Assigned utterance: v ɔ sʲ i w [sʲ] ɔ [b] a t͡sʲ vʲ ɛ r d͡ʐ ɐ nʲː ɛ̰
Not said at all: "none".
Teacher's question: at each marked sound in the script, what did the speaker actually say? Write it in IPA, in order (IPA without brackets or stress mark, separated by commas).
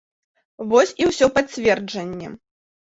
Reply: sʲ, p